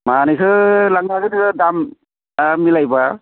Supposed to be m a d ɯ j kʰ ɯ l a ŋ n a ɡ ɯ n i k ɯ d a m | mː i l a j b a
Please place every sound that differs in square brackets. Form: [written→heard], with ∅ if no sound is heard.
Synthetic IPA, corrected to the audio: m a [d→n] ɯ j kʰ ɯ l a ŋ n a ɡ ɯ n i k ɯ d a m | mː i l a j b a